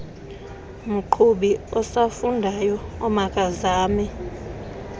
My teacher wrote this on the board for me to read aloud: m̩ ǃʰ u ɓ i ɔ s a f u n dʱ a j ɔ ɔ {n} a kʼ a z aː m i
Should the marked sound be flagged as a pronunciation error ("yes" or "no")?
yes